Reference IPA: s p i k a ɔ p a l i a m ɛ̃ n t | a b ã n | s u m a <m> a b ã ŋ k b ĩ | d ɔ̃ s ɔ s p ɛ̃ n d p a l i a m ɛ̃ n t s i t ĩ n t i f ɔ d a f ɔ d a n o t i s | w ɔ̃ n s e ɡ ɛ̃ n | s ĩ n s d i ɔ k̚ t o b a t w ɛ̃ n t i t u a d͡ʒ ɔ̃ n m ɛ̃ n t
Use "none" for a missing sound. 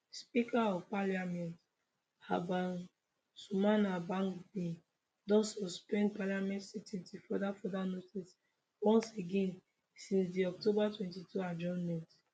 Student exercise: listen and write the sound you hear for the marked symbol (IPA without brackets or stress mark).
n